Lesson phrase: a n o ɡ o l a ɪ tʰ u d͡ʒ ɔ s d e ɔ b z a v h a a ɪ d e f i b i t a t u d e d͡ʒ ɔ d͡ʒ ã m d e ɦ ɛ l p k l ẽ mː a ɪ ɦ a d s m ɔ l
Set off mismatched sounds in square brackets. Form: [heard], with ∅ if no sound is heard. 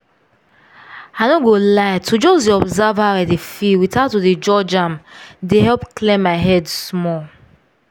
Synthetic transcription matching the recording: a n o ɡ o l a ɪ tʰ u d͡ʒ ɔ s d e ɔ b z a v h a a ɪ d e f i [w] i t a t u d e d͡ʒ ɔ d͡ʒ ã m d e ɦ ɛ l p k l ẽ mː a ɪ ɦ [ɛ] d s m ɔ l